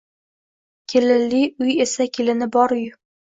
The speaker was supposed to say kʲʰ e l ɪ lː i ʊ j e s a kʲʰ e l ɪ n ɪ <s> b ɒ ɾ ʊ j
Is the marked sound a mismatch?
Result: yes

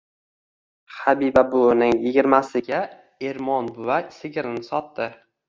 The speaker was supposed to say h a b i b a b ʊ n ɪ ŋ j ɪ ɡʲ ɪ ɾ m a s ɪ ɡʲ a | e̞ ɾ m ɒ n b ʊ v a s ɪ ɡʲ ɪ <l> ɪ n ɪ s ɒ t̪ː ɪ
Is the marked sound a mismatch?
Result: yes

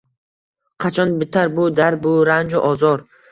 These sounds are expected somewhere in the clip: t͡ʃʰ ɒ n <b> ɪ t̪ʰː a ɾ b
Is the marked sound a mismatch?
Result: no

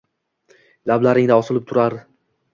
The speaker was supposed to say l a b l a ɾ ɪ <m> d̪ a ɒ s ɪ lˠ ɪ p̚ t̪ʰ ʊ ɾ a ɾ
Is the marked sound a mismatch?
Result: yes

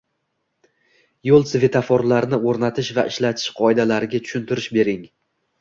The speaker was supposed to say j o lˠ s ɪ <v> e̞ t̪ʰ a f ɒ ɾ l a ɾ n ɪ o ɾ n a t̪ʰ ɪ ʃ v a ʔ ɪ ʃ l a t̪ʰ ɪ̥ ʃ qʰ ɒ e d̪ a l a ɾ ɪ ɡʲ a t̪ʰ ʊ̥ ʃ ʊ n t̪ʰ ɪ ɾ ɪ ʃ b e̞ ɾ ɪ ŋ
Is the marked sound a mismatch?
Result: no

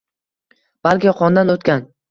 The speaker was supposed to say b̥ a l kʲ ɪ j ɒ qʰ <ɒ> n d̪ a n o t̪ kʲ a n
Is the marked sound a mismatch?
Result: no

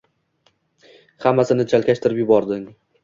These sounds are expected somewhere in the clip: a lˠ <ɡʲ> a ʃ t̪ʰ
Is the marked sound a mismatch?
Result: yes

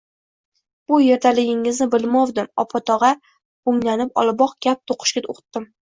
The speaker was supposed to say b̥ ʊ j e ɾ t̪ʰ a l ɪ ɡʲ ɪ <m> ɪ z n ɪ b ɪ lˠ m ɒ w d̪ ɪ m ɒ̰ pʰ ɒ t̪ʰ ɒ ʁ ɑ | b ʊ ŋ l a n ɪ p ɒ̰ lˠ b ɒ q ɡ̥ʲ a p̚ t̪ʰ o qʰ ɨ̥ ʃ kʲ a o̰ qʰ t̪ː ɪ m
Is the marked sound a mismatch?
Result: yes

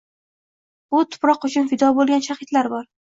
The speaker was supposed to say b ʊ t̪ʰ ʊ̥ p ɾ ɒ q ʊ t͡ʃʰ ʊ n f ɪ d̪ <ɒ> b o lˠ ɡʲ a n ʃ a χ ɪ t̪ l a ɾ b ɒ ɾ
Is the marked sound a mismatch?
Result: no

